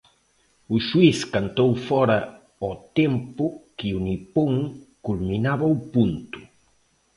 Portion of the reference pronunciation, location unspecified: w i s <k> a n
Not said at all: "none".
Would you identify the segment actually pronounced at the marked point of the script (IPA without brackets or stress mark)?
k